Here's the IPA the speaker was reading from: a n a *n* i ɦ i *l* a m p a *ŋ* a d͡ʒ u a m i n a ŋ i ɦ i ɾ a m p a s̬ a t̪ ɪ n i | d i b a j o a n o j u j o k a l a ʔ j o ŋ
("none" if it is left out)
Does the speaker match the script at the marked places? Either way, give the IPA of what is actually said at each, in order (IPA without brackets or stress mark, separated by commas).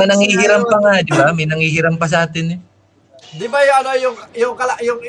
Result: ŋ, ɾ, ŋ